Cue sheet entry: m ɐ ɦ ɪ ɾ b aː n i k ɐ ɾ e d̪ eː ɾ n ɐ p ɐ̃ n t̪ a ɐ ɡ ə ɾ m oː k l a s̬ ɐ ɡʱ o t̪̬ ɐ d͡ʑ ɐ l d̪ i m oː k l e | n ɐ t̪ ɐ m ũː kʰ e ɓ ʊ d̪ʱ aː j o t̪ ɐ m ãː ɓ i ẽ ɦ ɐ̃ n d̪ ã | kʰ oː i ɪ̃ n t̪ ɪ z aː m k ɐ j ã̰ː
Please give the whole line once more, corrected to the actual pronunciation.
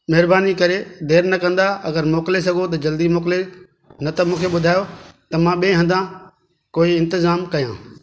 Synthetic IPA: m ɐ ɦ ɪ ɾ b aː n i k ɐ ɾ e d̪ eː ɾ n ɐ k ɐ̃ n d̪ a ɐ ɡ ə ɾ m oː k l e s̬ ɐ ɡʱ o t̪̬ ɐ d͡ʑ ɐ l d̪ i m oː k l e | n ɐ t̪ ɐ m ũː kʰ e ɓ ʊ d̪ʱ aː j o t̪ ɐ m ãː ɓ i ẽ ɦ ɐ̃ n d̪ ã | k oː i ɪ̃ n t̪ ɪ z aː m k ɐ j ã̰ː